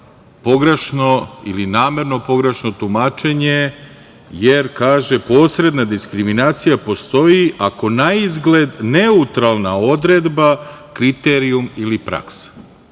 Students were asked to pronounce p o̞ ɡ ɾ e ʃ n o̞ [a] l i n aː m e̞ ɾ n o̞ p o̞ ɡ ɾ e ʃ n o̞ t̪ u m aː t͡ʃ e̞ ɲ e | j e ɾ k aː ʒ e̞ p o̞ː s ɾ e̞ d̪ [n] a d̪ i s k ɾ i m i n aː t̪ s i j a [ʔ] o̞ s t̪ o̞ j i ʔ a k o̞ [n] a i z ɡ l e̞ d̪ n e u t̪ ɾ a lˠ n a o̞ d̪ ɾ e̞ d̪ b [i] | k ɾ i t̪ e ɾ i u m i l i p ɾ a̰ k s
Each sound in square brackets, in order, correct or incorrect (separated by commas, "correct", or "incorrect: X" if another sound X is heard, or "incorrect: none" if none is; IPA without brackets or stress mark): incorrect: i, correct, incorrect: p, correct, incorrect: a